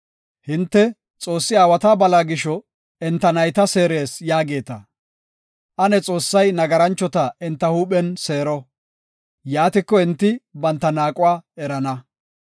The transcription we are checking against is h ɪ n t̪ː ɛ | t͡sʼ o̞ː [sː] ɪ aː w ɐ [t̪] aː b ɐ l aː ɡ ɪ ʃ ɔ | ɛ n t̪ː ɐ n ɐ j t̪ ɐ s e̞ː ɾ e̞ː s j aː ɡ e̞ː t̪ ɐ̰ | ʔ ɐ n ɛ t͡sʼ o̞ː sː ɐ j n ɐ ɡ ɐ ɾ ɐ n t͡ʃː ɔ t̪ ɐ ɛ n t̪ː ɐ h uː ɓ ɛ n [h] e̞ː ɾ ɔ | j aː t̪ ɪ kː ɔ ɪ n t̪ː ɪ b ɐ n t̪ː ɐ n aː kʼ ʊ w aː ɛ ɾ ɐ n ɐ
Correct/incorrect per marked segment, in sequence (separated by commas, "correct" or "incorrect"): correct, correct, incorrect